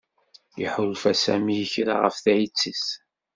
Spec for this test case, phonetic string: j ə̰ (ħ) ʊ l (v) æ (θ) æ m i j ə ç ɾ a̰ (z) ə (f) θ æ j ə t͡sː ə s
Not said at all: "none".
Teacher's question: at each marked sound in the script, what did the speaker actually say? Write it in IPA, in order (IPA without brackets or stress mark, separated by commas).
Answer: ħ, f, s, ʁ, f